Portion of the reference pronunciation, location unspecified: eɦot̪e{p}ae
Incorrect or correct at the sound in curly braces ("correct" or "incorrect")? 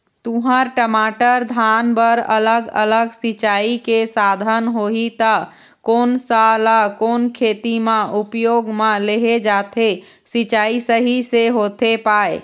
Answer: correct